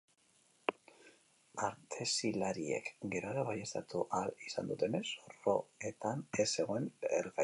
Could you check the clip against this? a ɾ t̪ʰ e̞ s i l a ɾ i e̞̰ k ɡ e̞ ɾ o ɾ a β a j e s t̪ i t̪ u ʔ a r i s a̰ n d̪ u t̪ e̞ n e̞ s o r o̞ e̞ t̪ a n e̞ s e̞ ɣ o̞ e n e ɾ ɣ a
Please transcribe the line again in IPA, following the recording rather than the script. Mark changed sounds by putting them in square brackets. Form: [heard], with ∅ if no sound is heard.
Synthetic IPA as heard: a ɾ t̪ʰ e̞ s i l a ɾ i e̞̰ k ɡ e̞ ɾ o ɾ a β a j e s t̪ [a] t̪ u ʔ a [l] i s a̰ n d̪ u t̪ e̞ n e̞ s o r o̞ e̞ t̪ a n e̞ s e̞ ɣ o̞ e n e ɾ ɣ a